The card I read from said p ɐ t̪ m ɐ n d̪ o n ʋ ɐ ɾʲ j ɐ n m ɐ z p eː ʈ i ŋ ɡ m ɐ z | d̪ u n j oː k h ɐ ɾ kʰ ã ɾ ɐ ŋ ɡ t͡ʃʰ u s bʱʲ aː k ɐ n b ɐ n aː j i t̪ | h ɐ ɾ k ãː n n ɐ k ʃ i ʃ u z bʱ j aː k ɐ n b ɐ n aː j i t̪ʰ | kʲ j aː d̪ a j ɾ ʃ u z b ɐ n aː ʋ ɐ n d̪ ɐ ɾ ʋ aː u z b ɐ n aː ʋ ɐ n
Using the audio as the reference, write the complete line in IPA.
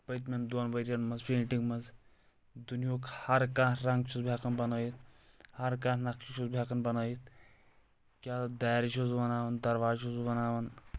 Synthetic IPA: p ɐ t̪ m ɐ n d̪ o n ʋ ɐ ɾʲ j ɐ n m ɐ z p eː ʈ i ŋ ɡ m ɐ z | d̪ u n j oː k h ɐ ɾ k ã ɾ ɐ ŋ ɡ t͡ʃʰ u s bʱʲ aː k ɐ n b ɐ n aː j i t̪ | h ɐ ɾ k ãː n n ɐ k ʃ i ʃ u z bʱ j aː k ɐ n b ɐ n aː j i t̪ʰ | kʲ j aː d̪ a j ɾ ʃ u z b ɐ n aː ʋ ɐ n d̪ ɐ ɾ ʋ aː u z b ɐ n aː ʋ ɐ n